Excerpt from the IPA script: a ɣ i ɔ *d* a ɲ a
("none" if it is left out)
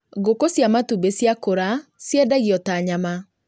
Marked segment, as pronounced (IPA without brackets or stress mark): t